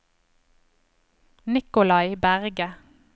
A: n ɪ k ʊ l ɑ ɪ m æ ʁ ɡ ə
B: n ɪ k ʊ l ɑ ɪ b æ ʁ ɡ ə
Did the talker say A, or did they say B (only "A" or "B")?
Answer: B